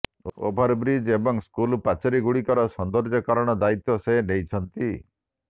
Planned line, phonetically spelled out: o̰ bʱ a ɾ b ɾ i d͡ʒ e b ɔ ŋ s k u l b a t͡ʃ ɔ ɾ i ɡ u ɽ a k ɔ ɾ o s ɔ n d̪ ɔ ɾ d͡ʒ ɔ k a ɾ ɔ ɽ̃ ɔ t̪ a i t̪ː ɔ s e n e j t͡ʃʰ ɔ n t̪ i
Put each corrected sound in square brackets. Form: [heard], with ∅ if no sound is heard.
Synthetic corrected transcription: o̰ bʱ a ɾ b ɾ i d͡ʒ e b ɔ ŋ s k u l [p] a t͡ʃ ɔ ɾ i ɡ u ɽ [i] k ɔ ɾ [ɔ] s ɔ n d̪ ɔ ɾ d͡ʒ ɔ k a ɾ ɔ ɽ̃ ɔ [d̪] a i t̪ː ɔ s e n e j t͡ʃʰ ɔ n t̪ i